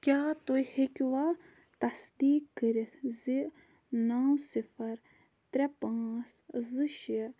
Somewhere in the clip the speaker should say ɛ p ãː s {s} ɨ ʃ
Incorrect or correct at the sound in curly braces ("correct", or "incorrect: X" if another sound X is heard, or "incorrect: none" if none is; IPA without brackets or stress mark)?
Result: incorrect: z